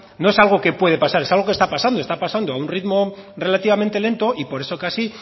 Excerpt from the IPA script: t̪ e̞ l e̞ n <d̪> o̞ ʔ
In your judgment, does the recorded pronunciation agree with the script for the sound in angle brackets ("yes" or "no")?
no